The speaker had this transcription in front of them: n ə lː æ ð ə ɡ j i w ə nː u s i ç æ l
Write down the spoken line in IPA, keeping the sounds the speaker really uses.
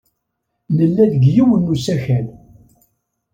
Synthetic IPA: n ə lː æ ð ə ɡ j i w ə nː u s æ ç æ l